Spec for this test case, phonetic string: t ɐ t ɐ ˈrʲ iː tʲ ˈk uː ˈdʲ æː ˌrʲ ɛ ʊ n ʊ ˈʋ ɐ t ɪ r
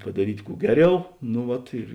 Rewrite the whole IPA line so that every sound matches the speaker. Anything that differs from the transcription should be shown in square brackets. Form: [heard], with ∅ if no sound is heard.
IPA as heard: [p] ɐ [d] ɐ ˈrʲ iː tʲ ˈk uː [ˈɡʲ] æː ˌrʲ ɛ ʊ n ʊ ˈʋ ɐ t ɪ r